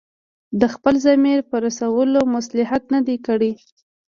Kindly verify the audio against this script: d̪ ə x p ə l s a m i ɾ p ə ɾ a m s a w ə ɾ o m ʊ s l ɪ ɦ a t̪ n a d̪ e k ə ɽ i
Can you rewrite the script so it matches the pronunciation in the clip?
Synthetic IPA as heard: d̪ ə x p ə l z a m i ɾ p ə ɾ a s a w ə l o m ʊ s l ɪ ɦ a t̪ n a d̪ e k ə ɽ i

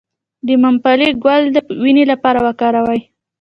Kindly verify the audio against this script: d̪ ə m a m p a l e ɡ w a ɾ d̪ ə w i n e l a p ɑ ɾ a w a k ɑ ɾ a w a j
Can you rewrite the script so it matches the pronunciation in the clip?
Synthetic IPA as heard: d̪ ə m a m p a l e ɡ w a l d̪ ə w i n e l a p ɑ ɾ a w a k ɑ ɾ a w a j

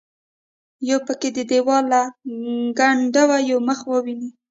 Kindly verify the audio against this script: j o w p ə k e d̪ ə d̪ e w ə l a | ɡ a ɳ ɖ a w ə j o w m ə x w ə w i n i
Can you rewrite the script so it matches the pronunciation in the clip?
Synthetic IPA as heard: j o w p ə k e d̪ ə d̪ e w ɑ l a | ɡ a ɳ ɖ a w a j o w m ə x w ə w i n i

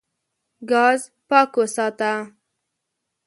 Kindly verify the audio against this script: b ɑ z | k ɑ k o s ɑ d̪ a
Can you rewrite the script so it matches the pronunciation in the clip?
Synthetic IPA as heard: ɡ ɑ z | p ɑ k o s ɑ t̪ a

